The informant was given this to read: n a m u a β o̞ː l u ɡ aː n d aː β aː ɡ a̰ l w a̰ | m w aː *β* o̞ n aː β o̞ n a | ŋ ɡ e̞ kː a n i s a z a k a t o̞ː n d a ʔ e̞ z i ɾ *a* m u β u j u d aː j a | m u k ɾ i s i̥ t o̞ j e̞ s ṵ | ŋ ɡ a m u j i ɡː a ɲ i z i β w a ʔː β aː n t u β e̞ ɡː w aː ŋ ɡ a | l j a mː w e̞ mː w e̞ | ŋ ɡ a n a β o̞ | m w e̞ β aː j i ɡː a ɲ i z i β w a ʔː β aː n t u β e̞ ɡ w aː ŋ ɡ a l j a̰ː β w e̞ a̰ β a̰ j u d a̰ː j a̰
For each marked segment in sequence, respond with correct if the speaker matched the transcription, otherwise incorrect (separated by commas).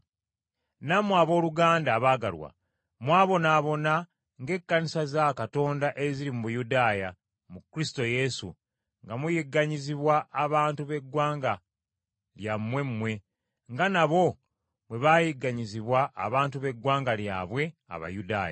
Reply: correct, incorrect